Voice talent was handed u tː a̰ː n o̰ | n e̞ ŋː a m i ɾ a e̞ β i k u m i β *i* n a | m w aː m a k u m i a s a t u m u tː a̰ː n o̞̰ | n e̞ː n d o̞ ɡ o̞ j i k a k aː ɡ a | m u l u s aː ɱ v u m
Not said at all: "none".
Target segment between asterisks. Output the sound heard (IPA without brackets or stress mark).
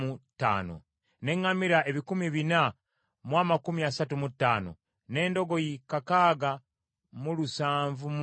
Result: i